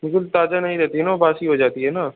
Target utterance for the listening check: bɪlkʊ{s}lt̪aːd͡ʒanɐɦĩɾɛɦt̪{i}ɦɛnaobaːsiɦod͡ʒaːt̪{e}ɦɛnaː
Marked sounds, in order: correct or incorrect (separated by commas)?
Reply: incorrect, correct, incorrect